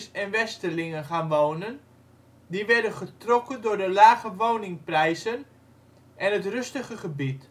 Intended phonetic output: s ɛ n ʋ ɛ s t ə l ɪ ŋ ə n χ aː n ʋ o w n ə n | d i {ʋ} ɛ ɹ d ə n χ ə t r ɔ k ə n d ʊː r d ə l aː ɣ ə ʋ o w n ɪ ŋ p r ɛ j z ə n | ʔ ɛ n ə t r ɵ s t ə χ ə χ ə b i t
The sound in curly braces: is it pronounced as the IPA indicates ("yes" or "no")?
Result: yes